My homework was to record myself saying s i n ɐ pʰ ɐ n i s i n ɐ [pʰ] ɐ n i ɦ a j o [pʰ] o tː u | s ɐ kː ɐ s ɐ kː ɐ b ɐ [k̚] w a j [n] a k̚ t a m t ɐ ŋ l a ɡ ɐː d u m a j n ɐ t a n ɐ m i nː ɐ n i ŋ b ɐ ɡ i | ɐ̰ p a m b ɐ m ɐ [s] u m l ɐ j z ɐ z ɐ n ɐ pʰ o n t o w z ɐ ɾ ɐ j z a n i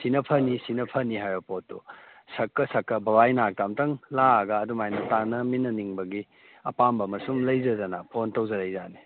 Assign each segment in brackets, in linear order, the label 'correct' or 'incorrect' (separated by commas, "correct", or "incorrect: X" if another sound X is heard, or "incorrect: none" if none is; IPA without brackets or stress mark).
correct, incorrect: p, incorrect: none, correct, correct